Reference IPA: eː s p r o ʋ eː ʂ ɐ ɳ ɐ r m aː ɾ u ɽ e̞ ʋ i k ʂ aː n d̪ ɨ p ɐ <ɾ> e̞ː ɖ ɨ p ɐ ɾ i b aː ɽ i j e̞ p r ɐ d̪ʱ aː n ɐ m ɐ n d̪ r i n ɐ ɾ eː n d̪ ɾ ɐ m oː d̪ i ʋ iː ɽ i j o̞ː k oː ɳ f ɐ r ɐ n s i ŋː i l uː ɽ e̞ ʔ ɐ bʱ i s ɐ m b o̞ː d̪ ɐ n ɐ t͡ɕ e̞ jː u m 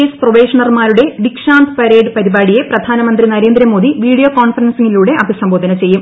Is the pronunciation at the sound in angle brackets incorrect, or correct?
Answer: correct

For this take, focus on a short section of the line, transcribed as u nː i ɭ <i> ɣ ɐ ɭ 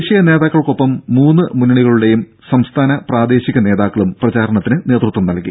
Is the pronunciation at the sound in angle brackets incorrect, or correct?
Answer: correct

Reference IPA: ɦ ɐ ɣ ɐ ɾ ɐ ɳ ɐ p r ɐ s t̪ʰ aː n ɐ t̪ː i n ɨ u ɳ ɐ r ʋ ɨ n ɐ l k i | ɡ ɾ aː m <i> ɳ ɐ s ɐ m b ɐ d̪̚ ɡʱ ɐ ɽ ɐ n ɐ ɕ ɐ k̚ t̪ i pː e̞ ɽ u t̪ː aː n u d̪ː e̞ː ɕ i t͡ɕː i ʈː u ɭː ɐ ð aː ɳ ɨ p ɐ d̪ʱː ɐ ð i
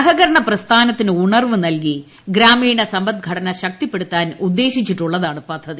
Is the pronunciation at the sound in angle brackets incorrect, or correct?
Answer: incorrect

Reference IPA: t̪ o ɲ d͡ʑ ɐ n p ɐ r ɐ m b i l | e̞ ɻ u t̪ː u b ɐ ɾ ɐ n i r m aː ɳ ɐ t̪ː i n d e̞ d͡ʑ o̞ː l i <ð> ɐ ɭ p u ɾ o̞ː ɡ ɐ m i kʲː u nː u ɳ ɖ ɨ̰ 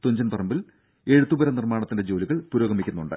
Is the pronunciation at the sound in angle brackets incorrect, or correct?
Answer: incorrect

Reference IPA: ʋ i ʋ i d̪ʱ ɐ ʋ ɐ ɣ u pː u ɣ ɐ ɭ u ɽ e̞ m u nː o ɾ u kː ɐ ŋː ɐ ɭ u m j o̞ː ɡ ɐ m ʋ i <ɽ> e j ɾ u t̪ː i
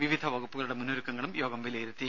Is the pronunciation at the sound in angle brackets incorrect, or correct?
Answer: incorrect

